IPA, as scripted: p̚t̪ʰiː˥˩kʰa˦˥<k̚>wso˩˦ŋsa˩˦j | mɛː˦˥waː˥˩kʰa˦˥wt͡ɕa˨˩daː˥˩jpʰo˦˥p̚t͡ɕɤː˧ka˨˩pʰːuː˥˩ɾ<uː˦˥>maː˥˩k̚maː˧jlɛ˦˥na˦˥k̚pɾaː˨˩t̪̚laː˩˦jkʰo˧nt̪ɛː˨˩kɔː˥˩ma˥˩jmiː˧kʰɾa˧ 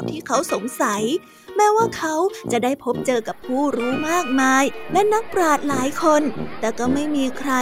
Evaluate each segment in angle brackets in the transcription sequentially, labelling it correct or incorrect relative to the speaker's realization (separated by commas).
incorrect, correct